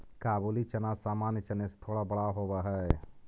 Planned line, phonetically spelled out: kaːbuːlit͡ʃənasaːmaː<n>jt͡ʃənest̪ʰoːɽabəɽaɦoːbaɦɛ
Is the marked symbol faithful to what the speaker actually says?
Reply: yes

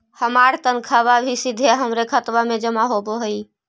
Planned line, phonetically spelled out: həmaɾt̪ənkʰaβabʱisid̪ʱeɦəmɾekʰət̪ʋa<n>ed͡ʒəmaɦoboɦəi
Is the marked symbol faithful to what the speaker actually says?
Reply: no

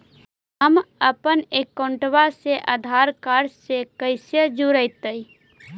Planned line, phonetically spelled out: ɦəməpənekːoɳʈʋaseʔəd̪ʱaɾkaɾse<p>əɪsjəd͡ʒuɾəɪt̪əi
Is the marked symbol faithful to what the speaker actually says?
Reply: no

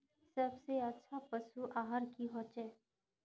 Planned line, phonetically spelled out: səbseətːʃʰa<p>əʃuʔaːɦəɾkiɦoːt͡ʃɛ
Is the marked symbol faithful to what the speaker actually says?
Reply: yes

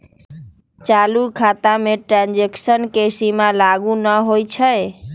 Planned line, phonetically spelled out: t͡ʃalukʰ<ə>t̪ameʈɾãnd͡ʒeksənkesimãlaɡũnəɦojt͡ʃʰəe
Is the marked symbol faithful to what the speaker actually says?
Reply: no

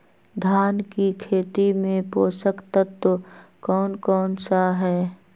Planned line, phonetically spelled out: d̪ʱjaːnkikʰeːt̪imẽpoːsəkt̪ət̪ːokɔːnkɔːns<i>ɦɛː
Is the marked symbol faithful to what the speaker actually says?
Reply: no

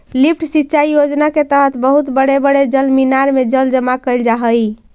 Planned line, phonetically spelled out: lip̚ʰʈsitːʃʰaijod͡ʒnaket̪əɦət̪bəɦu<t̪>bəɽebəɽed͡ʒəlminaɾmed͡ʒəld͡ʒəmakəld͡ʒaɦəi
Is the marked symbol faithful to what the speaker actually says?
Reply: yes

